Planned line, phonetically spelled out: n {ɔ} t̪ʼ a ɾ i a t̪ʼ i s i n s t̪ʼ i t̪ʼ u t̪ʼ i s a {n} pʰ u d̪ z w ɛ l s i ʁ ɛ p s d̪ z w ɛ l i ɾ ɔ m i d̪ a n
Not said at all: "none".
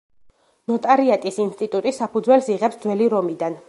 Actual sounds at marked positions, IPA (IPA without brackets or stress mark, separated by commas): ɔ, none